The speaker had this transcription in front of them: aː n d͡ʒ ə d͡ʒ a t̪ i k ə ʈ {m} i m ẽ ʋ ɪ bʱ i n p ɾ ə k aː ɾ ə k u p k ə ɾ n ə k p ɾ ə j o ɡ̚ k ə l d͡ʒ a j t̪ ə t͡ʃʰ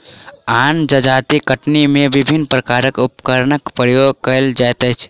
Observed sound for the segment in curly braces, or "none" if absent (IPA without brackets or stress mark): n